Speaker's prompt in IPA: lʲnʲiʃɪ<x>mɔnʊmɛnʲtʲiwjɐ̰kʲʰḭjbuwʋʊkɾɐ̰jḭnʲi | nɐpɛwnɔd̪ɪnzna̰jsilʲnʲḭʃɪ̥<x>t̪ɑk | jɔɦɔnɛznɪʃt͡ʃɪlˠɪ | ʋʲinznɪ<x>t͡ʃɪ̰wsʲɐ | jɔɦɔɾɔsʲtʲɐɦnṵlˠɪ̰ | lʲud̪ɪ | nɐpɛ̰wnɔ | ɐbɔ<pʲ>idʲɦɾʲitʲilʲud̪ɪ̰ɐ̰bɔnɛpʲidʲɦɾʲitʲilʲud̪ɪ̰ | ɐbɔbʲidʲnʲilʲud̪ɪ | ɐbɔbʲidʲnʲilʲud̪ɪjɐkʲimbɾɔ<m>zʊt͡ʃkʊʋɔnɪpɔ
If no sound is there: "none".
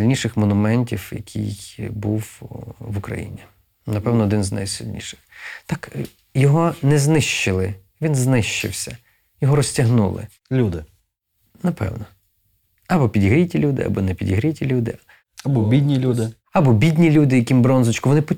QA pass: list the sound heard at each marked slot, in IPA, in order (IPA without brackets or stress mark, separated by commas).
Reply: x, x, ʃ, pʲ, n